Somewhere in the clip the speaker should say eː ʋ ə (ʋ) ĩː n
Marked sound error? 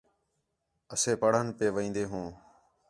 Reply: yes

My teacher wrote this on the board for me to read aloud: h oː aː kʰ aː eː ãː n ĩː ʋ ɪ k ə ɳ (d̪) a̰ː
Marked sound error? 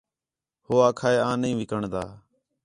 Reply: no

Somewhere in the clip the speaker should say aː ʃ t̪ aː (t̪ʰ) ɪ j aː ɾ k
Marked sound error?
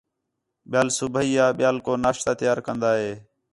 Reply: yes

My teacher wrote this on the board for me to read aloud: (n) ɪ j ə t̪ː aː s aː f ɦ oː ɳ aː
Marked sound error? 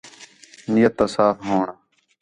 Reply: no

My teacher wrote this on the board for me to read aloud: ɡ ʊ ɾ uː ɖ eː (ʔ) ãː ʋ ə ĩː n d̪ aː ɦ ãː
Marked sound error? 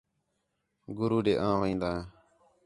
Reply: no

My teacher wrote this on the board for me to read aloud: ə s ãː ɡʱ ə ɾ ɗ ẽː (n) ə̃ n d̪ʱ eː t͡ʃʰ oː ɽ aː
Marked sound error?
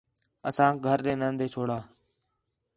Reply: no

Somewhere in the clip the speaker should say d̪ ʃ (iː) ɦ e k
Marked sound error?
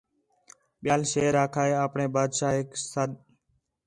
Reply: yes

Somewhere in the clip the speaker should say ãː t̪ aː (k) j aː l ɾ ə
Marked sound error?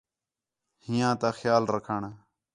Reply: yes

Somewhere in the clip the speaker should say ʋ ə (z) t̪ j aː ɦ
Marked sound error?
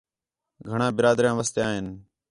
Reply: yes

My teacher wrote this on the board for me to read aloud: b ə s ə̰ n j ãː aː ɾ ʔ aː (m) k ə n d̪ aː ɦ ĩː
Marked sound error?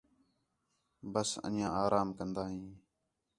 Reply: no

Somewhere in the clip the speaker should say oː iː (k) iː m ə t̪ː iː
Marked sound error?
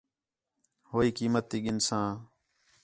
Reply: no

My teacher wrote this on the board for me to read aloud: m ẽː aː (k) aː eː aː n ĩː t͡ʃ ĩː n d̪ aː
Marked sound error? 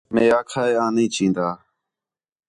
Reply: yes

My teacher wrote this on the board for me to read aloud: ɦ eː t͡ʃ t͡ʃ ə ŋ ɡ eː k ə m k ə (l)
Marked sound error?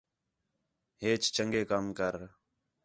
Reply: yes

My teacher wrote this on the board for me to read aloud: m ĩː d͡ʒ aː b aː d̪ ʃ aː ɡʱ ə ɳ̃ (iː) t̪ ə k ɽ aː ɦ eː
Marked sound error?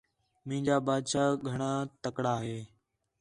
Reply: yes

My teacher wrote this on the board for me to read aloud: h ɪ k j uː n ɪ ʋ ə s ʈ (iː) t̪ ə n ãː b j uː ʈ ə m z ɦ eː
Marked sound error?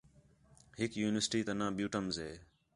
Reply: no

